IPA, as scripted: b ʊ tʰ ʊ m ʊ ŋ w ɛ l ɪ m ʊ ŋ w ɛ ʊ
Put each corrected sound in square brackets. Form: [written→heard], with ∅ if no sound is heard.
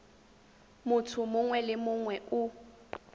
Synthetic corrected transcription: [b→m] ʊ tʰ ʊ m ʊ ŋ w ɛ l ɪ m ʊ ŋ w ɛ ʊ